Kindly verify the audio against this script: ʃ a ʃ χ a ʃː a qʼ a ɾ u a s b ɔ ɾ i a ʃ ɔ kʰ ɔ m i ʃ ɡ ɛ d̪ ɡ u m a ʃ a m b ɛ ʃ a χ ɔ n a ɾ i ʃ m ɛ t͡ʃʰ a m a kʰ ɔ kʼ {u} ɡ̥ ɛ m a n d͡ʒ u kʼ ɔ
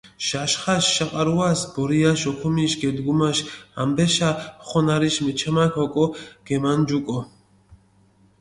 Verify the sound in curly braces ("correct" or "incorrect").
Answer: incorrect